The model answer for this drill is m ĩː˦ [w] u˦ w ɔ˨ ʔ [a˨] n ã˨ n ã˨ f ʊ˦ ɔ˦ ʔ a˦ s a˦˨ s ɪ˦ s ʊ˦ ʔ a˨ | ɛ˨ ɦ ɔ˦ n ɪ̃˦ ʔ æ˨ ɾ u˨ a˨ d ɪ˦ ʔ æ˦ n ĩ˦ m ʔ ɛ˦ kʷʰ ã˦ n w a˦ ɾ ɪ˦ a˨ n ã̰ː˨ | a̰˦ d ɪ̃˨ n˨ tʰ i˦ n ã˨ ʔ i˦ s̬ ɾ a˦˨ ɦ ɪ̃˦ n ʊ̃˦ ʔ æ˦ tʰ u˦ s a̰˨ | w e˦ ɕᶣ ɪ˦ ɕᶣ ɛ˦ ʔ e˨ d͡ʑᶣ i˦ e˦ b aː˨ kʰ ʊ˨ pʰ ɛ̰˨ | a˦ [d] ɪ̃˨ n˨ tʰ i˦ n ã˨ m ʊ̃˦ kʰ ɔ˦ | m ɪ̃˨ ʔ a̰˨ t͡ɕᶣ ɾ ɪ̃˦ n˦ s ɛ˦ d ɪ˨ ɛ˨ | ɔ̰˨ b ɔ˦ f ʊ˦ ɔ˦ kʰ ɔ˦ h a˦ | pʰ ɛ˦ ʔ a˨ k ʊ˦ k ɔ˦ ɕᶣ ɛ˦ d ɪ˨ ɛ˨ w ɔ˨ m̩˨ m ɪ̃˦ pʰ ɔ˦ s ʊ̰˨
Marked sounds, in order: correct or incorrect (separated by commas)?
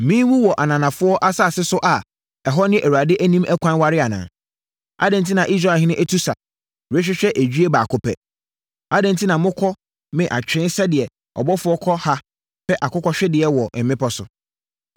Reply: correct, correct, correct